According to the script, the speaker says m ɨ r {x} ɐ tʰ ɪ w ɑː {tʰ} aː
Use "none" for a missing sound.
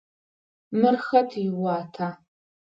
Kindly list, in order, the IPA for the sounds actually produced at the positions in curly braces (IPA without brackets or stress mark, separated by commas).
x, tʰ